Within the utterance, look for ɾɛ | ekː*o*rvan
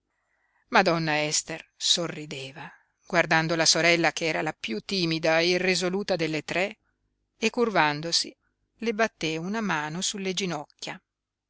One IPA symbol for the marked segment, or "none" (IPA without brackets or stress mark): u